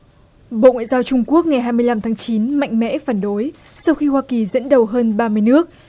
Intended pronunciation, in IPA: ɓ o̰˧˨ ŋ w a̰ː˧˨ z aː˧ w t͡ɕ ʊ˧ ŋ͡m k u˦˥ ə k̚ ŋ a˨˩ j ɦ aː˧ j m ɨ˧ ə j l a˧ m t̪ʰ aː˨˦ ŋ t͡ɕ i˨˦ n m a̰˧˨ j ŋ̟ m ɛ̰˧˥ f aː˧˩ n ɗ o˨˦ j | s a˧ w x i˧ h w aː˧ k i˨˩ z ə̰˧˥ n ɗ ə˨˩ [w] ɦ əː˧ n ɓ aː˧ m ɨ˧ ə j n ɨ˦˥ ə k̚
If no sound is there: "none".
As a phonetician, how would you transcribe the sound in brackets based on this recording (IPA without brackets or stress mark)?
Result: w